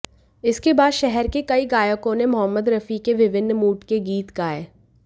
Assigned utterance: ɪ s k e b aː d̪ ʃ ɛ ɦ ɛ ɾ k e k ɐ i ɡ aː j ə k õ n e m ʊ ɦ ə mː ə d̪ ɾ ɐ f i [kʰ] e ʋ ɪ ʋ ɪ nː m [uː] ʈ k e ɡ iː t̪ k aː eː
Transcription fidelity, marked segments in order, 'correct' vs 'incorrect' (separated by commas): incorrect, correct